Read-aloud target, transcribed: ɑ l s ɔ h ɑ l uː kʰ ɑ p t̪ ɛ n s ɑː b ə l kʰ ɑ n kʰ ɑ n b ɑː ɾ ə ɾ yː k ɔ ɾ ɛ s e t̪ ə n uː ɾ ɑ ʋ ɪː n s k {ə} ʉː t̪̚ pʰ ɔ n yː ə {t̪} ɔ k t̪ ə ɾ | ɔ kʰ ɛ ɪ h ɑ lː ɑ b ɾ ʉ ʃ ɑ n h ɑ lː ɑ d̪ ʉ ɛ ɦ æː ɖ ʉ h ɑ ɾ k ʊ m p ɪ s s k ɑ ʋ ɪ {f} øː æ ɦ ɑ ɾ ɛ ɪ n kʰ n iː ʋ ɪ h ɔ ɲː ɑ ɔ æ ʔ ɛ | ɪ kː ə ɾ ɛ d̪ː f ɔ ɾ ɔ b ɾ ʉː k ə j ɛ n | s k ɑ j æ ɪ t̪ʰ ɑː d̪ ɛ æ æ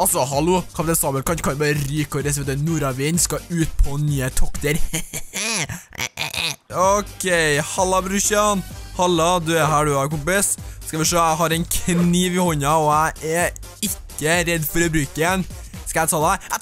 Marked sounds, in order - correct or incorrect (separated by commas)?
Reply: incorrect, incorrect, incorrect